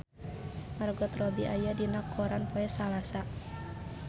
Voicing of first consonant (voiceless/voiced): voiced